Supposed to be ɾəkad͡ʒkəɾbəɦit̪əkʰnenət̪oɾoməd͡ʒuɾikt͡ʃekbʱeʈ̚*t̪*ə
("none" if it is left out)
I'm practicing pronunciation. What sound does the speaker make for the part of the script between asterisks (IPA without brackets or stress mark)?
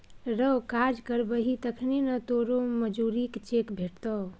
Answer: t̪